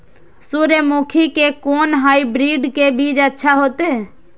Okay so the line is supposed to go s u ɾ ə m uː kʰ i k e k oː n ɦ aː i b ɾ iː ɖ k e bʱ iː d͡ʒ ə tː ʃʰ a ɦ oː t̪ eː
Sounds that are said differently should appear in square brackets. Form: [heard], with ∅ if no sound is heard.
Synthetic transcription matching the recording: s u ɾ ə m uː kʰ i k e k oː n ɦ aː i b ɾ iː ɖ k e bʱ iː d͡ʒ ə tː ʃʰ a ɦ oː t̪ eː